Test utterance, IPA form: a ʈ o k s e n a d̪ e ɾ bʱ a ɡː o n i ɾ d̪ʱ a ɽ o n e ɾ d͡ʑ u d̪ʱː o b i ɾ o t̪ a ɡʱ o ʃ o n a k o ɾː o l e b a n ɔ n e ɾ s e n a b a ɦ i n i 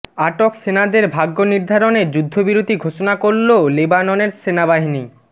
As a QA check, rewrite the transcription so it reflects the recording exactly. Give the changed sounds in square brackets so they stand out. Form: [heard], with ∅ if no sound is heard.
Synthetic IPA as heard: a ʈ o k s e n a d̪ e ɾ bʱ a ɡː o n i ɾ d̪ʱ a [ɾ] o n e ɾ d͡ʑ u d̪ʱː o b i ɾ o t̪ [i] ɡʱ o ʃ o n a k o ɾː o l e b a n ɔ n e ɾ s e n a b a ɦ i n i